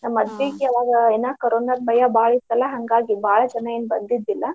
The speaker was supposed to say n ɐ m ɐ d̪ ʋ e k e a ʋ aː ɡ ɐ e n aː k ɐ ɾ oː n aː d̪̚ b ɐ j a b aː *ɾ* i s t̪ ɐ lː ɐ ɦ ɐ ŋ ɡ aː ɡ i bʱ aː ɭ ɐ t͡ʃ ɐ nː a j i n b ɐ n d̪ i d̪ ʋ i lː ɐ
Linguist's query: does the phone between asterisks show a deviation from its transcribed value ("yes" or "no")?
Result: yes